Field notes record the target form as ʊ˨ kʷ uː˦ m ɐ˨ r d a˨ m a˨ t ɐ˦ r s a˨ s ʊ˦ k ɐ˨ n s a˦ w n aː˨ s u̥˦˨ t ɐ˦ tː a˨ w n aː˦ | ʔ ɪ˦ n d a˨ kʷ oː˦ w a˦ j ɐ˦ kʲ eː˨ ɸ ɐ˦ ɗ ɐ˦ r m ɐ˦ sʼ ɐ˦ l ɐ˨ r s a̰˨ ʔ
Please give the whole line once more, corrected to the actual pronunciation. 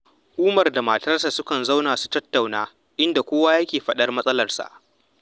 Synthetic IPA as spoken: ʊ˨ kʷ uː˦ m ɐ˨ r d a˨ m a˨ t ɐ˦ r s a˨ s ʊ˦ k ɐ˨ n z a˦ w n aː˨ s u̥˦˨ t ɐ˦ tː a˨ w n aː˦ | ʔ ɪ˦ n d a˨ kʷ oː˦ w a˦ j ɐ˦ kʲ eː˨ ɸ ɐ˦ ɗ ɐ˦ r m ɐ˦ sʼ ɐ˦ l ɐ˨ r s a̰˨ ʔ